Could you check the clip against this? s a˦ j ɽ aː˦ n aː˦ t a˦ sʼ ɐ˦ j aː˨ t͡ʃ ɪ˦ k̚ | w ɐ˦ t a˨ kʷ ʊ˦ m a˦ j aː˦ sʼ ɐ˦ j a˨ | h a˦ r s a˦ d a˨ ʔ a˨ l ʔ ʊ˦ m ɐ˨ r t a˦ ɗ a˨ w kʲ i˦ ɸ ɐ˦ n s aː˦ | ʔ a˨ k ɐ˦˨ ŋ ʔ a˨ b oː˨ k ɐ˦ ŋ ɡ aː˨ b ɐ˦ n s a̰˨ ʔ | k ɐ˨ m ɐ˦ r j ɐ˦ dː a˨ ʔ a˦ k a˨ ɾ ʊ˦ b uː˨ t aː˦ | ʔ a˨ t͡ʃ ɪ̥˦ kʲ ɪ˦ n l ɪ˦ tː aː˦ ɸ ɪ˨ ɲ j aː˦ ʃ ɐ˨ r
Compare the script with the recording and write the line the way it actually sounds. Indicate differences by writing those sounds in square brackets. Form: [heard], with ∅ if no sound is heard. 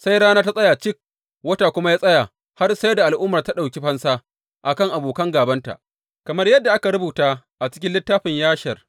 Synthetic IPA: s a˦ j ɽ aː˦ n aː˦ t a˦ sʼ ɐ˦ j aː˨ t͡ʃ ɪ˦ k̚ | w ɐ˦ t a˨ kʷ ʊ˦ m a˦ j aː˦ sʼ ɐ˦ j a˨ | h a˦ r s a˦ d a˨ ʔ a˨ l ʔ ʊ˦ m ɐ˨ r t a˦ ɗ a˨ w kʲ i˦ ɸ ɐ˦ n s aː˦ | ʔ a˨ k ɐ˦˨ ŋ ʔ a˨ b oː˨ k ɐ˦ ŋ ɡ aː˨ b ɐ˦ n [t] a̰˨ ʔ | k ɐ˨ m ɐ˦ r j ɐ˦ dː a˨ ʔ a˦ k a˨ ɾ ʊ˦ b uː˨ t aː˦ | ʔ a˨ t͡ʃ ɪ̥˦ kʲ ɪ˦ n l ɪ˦ tː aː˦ ɸ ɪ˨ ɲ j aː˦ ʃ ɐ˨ r